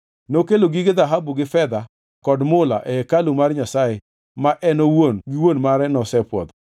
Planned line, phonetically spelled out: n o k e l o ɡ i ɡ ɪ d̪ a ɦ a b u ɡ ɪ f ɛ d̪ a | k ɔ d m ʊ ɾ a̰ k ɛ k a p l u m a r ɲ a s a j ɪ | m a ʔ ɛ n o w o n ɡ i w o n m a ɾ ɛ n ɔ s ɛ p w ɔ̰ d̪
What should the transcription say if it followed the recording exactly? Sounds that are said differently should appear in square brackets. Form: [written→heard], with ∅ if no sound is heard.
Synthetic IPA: n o k e l o ɡ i ɡ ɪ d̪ a ɦ a b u ɡ ɪ f ɛ d̪ a | k ɔ d m ʊ [ɾ→l] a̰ [k→ʔ] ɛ k a [p→∅] l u m a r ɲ a s a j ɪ | m a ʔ ɛ n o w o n ɡ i w o n m a ɾ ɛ n ɔ s ɛ p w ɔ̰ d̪